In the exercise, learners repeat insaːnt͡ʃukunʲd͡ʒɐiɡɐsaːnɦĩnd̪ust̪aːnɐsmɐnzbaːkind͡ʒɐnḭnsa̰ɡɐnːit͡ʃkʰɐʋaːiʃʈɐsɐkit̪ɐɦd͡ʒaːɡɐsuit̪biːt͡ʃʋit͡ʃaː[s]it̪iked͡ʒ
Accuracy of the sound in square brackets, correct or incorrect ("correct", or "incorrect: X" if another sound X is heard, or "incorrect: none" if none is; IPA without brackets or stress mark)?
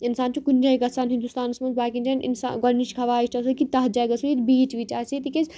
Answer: correct